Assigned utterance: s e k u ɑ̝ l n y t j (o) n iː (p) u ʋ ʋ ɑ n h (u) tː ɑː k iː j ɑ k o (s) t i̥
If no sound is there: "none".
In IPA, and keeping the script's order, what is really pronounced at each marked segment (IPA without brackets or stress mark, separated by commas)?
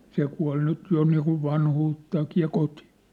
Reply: o, k, uː, none